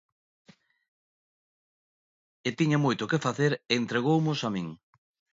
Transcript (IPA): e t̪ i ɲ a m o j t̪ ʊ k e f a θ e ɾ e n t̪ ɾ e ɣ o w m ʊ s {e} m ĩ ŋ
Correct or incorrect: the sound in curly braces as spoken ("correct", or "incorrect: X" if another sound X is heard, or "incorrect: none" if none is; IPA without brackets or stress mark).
incorrect: a